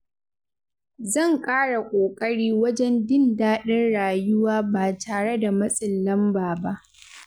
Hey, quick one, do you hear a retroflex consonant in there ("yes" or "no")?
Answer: yes